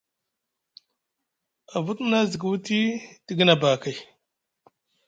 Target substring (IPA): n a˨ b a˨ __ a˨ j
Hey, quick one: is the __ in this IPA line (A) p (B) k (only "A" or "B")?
B